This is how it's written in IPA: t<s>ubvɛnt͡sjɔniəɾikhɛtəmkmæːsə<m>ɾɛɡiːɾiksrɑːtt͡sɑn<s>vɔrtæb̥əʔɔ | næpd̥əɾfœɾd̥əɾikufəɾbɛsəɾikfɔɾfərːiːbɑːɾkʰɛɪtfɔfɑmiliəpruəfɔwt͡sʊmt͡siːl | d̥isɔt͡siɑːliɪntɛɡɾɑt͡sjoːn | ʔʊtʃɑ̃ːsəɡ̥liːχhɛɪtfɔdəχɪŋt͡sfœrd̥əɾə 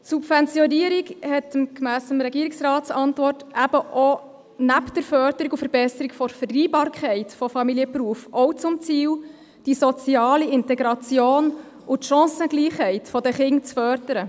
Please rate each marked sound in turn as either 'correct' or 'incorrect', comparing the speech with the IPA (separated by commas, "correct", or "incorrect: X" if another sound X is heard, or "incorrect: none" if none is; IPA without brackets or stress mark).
correct, correct, incorrect: t